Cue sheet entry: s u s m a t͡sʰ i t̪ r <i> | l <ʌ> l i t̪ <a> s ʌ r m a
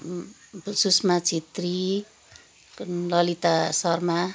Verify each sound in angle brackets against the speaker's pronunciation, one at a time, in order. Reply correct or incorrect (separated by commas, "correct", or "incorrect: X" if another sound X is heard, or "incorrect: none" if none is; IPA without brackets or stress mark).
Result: correct, correct, correct